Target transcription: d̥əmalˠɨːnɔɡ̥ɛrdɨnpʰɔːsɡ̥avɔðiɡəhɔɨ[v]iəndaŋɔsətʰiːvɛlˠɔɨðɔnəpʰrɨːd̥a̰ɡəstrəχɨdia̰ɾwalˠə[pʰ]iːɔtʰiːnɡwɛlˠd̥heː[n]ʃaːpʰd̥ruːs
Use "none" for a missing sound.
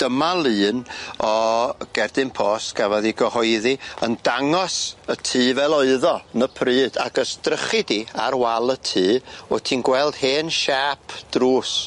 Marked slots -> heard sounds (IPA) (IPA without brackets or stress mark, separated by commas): ð, tʰ, n